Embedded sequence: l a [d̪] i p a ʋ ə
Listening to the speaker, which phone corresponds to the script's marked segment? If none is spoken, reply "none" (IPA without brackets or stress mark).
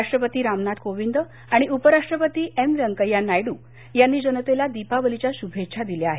d̪